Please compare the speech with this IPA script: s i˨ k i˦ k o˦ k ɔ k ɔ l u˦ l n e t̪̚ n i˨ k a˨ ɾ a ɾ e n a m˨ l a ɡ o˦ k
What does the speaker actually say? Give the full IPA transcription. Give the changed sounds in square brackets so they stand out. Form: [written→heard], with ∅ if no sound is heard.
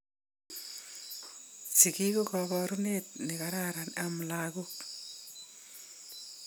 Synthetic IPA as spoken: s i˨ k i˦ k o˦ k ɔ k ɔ [l→ɾ] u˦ [l→∅] n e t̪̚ n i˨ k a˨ ɾ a ɾ [e→a] n a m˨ l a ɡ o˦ k